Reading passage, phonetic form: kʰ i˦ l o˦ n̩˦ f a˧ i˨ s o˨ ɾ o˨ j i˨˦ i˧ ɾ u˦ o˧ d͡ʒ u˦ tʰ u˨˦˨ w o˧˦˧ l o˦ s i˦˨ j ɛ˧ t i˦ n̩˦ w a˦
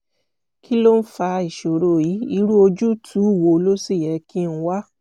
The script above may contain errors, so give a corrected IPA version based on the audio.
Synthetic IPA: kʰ i˦ l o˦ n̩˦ f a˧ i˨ ʃ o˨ ɾ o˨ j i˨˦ i˧ ɾ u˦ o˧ d͡ʒ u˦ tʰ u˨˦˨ w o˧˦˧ l o˦ s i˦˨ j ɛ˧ k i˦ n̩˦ w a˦